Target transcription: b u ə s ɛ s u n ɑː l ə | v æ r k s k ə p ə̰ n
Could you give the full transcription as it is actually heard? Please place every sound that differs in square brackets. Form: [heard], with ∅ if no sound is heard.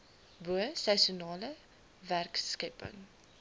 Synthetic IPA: b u ə s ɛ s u n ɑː l ə | v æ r k s k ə p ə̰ [ŋ]